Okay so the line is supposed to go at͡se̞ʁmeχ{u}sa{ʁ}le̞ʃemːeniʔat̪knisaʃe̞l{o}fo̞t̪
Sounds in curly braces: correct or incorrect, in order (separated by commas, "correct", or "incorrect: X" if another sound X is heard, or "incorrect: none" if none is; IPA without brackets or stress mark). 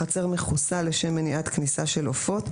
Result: correct, incorrect: none, correct